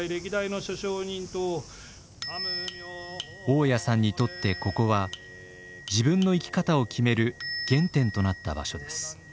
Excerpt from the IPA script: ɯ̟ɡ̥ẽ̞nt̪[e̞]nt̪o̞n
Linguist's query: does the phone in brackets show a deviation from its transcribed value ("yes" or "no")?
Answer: yes